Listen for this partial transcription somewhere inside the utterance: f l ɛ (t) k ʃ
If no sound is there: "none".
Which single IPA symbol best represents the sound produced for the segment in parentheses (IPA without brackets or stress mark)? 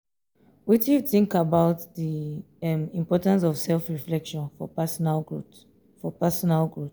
none